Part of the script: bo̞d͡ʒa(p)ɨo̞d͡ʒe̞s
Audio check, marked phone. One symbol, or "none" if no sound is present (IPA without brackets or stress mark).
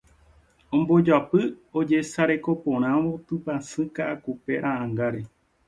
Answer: p